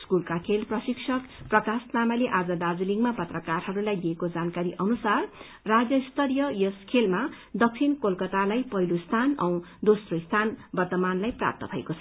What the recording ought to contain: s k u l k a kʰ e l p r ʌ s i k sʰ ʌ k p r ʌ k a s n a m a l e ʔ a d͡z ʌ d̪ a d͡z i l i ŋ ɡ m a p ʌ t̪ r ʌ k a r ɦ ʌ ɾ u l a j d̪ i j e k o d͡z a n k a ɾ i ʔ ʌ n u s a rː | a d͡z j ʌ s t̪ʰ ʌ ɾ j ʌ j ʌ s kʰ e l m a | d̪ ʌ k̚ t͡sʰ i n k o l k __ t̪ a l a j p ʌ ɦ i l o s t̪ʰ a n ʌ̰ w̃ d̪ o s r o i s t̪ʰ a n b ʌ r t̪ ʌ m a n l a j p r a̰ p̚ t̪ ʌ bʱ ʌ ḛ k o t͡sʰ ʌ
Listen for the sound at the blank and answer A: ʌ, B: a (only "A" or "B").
A